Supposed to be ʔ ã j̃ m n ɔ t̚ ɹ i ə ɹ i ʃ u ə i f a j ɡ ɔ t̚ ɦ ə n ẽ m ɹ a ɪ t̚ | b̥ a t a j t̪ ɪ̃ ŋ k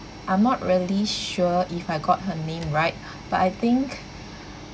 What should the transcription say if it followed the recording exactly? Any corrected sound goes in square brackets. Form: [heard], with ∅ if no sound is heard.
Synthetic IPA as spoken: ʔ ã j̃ m n ɔ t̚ ɹ i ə [l] i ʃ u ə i f a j ɡ ɔ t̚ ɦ ə n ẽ m ɹ a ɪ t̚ | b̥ a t a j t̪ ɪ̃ ŋ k